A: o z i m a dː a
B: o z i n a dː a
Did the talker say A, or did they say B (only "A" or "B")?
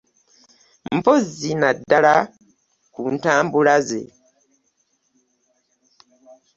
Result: B